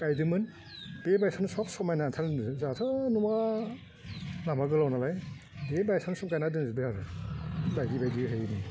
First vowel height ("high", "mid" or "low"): low